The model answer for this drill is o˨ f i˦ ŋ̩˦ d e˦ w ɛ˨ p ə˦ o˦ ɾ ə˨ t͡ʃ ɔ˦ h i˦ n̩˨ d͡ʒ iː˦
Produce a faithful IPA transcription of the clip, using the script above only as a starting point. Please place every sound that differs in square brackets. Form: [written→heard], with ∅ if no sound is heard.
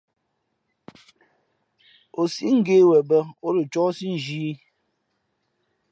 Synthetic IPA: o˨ [f→s] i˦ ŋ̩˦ [d→ɡ] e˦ w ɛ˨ [p→b] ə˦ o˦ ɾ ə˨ t͡ʃ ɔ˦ [h→s] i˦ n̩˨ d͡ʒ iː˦